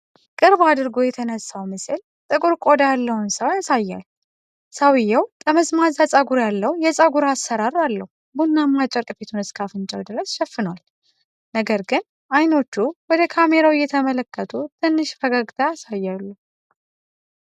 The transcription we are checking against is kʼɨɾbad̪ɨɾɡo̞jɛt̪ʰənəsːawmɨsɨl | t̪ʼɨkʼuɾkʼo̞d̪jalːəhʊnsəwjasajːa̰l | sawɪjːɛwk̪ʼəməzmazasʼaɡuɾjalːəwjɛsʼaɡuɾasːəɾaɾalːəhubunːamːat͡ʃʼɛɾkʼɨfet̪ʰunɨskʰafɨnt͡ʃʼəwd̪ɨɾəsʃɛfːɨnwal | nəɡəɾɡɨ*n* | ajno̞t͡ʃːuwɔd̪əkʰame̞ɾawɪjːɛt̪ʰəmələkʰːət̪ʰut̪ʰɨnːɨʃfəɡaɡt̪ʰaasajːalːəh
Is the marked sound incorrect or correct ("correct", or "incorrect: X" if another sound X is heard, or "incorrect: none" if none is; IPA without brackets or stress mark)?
correct